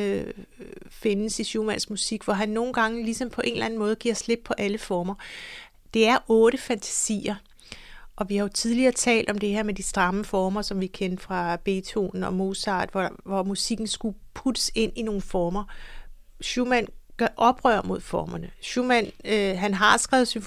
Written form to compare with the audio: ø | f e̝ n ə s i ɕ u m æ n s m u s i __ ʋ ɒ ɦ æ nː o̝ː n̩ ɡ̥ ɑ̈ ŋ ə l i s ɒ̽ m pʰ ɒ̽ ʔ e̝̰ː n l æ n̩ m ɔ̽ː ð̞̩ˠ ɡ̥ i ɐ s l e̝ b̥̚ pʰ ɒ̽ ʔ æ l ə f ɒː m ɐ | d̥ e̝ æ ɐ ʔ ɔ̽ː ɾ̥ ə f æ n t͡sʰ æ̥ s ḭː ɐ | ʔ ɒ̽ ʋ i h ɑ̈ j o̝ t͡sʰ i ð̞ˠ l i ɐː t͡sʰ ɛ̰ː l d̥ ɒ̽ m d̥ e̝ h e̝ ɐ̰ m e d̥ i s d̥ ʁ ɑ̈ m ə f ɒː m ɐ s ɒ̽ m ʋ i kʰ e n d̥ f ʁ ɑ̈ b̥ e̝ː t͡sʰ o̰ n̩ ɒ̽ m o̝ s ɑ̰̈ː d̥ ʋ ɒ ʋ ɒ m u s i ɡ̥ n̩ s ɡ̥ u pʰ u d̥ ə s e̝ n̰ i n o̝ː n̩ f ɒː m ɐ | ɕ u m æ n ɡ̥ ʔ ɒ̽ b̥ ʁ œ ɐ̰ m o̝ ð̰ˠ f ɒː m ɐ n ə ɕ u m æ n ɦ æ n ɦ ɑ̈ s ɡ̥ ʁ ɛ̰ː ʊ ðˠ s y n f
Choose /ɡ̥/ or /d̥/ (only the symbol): ɡ̥